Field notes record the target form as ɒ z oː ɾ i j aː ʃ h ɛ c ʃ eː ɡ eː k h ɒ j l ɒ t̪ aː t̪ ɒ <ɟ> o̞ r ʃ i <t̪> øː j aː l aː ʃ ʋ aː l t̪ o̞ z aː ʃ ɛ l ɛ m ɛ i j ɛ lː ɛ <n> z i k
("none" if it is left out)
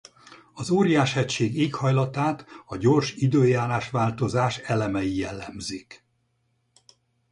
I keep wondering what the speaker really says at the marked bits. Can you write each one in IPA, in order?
ɟ, d̪, m

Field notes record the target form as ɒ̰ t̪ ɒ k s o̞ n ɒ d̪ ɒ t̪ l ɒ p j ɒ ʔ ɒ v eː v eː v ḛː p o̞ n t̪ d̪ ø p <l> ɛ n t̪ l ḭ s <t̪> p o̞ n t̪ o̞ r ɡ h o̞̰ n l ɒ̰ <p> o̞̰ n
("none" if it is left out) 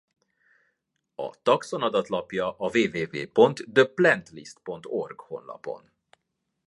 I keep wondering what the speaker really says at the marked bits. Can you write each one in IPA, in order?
l, t̪, p

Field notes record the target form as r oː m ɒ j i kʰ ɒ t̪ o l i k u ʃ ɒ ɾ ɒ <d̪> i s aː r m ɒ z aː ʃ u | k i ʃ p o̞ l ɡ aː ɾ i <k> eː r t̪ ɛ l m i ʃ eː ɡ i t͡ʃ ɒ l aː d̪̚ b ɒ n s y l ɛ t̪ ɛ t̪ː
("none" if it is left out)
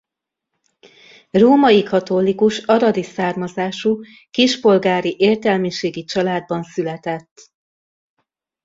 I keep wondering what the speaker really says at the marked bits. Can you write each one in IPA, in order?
d̪, ʔ

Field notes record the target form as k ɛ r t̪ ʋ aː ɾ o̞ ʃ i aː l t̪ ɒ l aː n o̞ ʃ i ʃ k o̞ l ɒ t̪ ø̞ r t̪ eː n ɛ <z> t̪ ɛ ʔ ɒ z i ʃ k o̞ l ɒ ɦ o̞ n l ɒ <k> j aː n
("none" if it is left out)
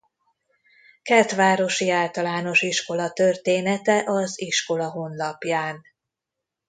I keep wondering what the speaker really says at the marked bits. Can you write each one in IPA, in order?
none, p

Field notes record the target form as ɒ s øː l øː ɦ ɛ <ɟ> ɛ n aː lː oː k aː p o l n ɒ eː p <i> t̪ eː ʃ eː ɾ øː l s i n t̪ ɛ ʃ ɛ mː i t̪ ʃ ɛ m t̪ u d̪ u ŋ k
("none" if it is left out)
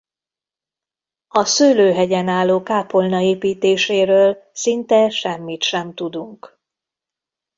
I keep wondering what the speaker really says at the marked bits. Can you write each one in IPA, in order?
ɟ, iː

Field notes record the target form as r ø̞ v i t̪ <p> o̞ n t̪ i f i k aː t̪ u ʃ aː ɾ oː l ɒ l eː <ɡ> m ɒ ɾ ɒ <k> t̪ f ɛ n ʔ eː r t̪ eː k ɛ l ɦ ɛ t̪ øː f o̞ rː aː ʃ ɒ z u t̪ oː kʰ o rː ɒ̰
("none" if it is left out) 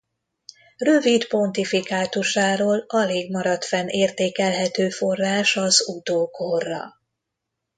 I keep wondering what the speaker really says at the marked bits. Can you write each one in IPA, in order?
p, ɡ, none

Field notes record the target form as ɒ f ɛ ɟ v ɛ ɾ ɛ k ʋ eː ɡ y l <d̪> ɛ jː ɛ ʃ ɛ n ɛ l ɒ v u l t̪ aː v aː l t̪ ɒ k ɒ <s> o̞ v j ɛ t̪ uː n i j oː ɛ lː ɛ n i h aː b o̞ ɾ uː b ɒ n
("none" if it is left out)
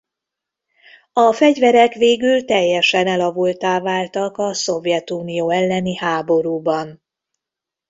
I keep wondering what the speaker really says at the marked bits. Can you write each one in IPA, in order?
t̪, s

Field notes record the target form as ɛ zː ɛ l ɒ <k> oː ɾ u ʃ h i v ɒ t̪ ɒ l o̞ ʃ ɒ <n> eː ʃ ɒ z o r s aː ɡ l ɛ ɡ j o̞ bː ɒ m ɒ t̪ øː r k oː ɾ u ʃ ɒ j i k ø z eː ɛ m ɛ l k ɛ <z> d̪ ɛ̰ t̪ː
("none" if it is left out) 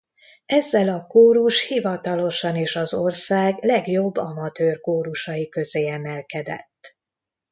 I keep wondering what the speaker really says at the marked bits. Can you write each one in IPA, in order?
k, n, none

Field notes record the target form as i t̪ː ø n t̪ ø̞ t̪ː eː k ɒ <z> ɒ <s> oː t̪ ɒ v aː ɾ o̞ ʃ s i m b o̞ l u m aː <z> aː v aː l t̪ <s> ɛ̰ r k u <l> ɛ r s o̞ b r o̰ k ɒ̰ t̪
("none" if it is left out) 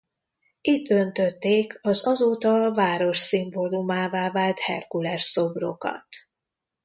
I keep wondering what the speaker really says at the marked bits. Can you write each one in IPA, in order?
z, z, v, h, l

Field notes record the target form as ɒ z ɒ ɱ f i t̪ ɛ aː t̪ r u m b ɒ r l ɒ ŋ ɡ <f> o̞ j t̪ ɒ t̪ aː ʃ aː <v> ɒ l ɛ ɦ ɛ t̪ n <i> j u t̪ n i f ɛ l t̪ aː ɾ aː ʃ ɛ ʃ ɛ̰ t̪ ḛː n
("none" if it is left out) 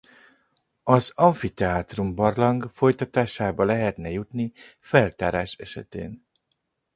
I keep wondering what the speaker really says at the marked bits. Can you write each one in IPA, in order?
f, b, ɛ

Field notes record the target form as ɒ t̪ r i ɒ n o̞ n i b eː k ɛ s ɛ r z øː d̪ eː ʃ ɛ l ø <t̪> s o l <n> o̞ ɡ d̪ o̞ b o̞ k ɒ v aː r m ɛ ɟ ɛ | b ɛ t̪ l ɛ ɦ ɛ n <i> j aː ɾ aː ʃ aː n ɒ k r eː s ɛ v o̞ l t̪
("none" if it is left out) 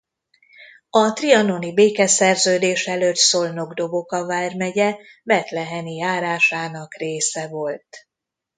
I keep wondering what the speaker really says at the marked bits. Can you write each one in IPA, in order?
t̪, n, i

